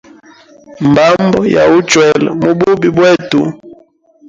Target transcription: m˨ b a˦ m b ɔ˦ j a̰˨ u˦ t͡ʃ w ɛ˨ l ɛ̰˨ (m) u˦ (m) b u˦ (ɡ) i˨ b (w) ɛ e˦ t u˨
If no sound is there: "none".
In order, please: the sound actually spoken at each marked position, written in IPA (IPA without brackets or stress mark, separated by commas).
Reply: m, none, b, w